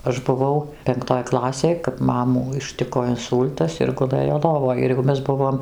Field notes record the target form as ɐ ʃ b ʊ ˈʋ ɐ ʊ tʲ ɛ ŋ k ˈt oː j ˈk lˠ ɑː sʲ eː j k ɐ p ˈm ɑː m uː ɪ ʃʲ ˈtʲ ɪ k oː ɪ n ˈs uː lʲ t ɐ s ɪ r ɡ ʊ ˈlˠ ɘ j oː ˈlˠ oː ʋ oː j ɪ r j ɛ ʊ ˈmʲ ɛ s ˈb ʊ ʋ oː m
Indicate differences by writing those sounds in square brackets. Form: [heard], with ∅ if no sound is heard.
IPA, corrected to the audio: ɐ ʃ b ʊ ˈʋ ɐ ʊ [pʲ] ɛ ŋ k ˈt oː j ˈk lˠ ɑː sʲ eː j k ɐ p ˈm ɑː m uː ɪ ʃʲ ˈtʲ ɪ k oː ɪ n ˈs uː lʲ t ɐ s ɪ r ɡ ʊ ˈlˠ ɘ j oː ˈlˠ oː ʋ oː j ɪ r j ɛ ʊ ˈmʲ ɛ s ˈb ʊ ʋ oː m